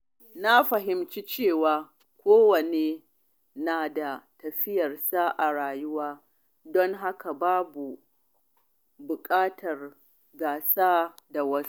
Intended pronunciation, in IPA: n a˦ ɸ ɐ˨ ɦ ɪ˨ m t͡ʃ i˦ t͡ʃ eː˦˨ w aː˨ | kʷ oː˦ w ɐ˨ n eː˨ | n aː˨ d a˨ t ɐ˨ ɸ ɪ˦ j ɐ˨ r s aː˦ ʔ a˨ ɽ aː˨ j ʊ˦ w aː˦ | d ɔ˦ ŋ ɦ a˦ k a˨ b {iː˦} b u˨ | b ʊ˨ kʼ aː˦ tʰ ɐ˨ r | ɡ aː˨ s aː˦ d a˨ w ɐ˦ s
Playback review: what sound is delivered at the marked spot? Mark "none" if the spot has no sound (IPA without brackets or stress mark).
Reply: aː˦